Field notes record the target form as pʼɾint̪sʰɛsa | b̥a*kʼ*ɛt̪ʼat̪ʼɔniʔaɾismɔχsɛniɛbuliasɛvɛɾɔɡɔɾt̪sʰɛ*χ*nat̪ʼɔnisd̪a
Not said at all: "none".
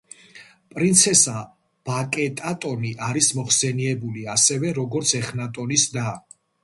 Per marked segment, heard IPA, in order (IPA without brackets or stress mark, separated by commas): kʼ, χ